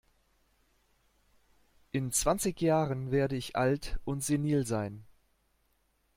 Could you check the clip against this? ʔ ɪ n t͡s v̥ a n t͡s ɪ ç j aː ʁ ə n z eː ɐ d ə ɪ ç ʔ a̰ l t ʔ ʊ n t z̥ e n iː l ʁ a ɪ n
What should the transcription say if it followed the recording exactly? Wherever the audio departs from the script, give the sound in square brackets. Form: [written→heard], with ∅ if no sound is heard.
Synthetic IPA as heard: ʔ ɪ n t͡s v̥ a n t͡s ɪ ç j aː ʁ ə n [z→v] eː ɐ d ə ɪ ç ʔ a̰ l t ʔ ʊ n t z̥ e n iː l [ʁ→z] a ɪ n

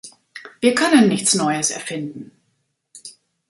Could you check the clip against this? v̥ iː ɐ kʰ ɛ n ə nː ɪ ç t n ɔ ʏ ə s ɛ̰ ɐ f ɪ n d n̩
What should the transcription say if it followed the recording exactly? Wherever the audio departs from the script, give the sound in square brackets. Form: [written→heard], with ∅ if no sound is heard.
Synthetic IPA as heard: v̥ iː ɐ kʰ [ɛ→œ] n ə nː ɪ ç [t→t͡s] n ɔ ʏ ə s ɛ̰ ɐ f ɪ n d n̩

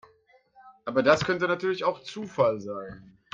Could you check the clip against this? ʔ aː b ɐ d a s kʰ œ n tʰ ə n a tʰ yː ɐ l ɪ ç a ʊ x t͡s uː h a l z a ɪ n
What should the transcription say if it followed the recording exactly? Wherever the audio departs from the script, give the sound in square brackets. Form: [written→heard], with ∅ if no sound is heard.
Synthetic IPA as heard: ʔ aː b ɐ d a s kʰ œ n [tʰ→t] ə n a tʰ yː ɐ l ɪ ç a ʊ x t͡s uː [h→f] a l z a ɪ n

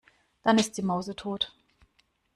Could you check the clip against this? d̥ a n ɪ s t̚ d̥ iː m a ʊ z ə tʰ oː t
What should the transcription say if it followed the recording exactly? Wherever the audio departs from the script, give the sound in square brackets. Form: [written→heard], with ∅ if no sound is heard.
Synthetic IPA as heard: d̥ a n ɪ s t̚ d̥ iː m a ʊ z ə tʰ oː t

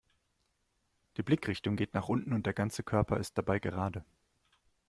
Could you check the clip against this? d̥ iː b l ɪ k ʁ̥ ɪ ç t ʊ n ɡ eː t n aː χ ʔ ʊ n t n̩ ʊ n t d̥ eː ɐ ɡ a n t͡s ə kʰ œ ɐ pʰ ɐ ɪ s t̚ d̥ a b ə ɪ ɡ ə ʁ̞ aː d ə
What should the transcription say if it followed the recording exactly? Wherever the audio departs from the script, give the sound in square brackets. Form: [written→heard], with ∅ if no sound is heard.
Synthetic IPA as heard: d̥ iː b l ɪ k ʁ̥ ɪ ç t ʊ [n→ŋ] ɡ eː t n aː χ ʔ ʊ n t n̩ ʊ n t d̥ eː ɐ ɡ a n t͡s ə kʰ œ ɐ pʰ ɐ ɪ s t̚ d̥ a b [ə→a] ɪ ɡ ə ʁ̞ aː d ə

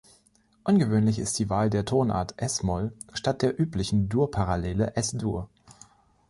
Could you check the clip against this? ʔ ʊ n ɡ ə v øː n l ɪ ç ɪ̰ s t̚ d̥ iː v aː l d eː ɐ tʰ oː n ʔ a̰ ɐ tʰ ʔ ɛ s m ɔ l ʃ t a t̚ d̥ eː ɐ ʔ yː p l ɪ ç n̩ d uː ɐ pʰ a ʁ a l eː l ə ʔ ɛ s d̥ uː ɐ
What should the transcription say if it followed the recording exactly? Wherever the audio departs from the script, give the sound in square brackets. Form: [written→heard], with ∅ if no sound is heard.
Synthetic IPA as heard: ʔ ʊ n ɡ ə v øː n l ɪ ç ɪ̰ s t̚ d̥ iː v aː l d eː ɐ tʰ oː n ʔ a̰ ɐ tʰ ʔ ɛ s m ɔ l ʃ t a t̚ d̥ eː ɐ ʔ yː p l ɪ ç n̩ d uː ɐ pʰ a ʁ a l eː l ə ʔ ɛ s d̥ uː ɐ

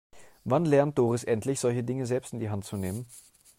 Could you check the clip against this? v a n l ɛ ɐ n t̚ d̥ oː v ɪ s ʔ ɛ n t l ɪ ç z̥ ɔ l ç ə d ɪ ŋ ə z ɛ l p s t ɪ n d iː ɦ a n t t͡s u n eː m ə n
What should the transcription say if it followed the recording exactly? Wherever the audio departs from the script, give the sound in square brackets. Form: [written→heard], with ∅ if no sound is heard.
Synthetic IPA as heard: v a n l ɛ ɐ n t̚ d̥ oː [v→ʁ] ɪ s ʔ ɛ n t l ɪ ç z̥ ɔ l ç ə d ɪ ŋ ə z ɛ l p s t ɪ n d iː ɦ a n t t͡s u n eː m ə n

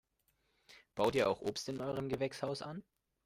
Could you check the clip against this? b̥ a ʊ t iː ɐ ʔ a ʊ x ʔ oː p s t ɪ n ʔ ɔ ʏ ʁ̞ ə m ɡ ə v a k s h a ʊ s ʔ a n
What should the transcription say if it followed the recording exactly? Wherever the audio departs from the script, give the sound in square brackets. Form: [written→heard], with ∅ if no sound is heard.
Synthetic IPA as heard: b̥ a ʊ t iː ɐ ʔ a ʊ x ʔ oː p s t ɪ n ʔ ɔ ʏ ʁ̞ ə m ɡ ə v [a→ɛ] k s h a ʊ s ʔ a n

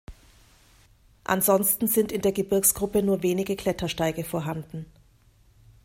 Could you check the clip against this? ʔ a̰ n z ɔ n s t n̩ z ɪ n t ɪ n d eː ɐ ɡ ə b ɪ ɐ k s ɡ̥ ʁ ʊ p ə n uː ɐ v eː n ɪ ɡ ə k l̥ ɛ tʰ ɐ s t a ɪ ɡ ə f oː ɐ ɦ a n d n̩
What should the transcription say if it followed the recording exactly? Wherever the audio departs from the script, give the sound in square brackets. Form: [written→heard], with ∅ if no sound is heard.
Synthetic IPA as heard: ʔ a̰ n z ɔ n s t n̩ z ɪ n t ɪ n d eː ɐ ɡ ə b ɪ ɐ k s ɡ̥ ʁ ʊ p ə n uː ɐ v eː n ɪ ɡ ə k l̥ ɛ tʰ ɐ [s→ʃ] t a ɪ ɡ ə f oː ɐ ɦ a n d n̩

